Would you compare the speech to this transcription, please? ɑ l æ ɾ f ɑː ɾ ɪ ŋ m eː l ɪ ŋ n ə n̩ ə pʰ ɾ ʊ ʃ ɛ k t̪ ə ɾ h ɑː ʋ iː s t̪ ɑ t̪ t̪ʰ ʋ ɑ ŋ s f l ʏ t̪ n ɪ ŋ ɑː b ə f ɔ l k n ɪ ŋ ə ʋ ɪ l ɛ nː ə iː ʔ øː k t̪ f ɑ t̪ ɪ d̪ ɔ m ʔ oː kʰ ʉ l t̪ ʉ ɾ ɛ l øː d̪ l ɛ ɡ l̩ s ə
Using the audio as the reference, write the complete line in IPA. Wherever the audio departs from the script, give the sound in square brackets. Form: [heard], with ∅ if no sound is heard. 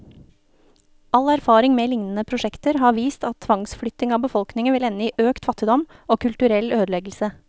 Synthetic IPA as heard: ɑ l æ ɾ f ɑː ɾ ɪ ŋ m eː l ɪ ŋ n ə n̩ ə pʰ ɾ ʊ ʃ ɛ k t̪ ə ɾ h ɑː ʋ iː s t̪ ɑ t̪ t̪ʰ ʋ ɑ ŋ s f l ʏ t̪ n ɪ ŋ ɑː b ə f ɔ l k n ɪ ŋ ə ʋ ɪ l ɛ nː ə iː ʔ øː k t̪ f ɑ t̪ ɪ d̪ ɔ m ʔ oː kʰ ʉ l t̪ ʉ ɾ ɛ l øː d̪ l ɛ ɡ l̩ s ə